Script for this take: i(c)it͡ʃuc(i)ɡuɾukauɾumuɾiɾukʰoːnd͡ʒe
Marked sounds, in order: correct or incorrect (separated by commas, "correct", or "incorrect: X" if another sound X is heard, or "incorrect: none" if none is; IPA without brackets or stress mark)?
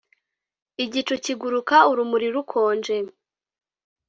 incorrect: ɟ, correct